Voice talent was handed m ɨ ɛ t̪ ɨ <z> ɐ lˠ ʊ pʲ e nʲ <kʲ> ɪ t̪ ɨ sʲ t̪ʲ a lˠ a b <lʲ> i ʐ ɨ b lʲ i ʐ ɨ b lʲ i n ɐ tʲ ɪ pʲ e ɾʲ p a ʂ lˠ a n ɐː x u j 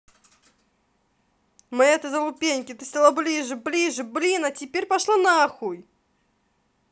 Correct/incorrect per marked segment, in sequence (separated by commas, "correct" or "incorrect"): correct, correct, correct